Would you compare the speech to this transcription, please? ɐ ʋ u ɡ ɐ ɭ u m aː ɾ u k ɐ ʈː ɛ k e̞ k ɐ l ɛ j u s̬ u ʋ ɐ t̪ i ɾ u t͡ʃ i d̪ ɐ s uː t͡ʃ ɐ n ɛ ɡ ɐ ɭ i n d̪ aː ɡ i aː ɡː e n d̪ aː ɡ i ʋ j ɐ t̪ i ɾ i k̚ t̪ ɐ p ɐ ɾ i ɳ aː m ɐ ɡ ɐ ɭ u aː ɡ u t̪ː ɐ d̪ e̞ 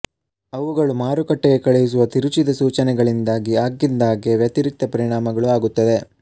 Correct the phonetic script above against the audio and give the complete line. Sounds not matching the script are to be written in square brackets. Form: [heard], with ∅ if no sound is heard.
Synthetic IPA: ɐ ʋ u ɡ ɐ ɭ u m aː ɾ u k ɐ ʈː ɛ [ɡ] e̞ k ɐ [ɭ] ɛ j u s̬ u ʋ ɐ t̪ i ɾ u t͡ʃ i d̪ ɐ s uː t͡ʃ ɐ n ɛ ɡ ɐ ɭ i n d̪ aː ɡ i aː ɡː [i] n d̪ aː ɡ [e] ʋ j ɐ t̪ i ɾ i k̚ t̪ ɐ p ɐ ɾ i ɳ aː m ɐ ɡ ɐ ɭ u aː ɡ u t̪ː ɐ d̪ e̞